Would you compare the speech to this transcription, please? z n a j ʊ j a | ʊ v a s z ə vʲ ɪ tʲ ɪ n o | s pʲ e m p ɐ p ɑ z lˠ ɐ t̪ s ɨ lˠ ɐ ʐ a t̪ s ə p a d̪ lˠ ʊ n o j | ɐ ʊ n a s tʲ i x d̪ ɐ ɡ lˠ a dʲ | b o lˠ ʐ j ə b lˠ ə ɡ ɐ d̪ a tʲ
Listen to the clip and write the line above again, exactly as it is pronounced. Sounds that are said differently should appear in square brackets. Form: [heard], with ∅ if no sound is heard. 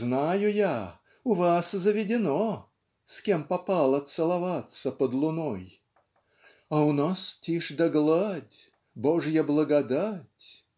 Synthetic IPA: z n a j ʊ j a | ʊ v a s z ə vʲ ɪ [dʲ] ɪ n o | s [kʲ] e m p ɐ p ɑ [∅] lˠ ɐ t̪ s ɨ lˠ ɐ [v] a t̪ s ə p [ə] d̪ lˠ ʊ n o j | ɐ ʊ n a s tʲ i [ʂ] d̪ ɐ ɡ lˠ a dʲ | b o [∅] ʐ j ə b lˠ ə ɡ ɐ d̪ a tʲ